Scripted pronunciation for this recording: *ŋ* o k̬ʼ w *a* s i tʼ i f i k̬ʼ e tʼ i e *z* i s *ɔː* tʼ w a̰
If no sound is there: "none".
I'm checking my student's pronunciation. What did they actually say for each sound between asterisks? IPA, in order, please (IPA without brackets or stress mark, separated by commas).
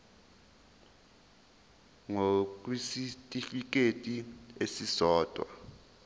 ŋ, i, s, ɔː